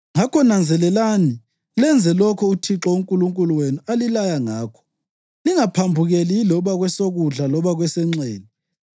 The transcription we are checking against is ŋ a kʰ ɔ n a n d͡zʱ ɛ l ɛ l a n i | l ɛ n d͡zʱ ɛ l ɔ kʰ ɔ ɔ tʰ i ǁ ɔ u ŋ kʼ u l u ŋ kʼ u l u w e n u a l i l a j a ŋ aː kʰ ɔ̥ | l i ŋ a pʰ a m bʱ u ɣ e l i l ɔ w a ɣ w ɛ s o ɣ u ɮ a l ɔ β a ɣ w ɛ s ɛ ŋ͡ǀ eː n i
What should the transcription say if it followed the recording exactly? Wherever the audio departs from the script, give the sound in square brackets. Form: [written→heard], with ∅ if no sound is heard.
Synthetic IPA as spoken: ŋ a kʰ ɔ n a n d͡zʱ ɛ l ɛ l a n i | l ɛ n d͡zʱ ɛ l ɔ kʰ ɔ [ɔ→u] tʰ i ǁ ɔ u ŋ kʼ u l u ŋ kʼ u l u w e n u a l i l a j a ŋ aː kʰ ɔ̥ | l i ŋ a pʰ a m bʱ u ɣ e l i l ɔ [w→β] a ɣ w ɛ s o ɣ u ɮ a l ɔ β a ɣ w ɛ s ɛ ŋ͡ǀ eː n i